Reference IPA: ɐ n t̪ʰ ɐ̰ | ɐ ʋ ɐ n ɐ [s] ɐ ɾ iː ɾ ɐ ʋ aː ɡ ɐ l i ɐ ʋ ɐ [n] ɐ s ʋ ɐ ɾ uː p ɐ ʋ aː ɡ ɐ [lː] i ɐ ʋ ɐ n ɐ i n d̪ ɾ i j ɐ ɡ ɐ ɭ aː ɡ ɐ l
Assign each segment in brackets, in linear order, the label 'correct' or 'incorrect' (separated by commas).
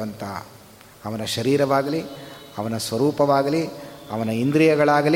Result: incorrect, correct, incorrect